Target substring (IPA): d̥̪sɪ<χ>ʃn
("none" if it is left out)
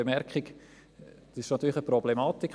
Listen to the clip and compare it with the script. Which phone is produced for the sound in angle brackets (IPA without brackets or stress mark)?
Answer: none